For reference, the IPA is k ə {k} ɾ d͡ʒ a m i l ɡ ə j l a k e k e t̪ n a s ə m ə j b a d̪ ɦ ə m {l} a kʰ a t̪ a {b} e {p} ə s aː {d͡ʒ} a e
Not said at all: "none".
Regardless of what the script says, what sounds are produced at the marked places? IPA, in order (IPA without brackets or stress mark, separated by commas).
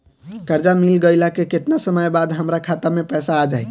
none, ɾ, m, p, d͡ʒ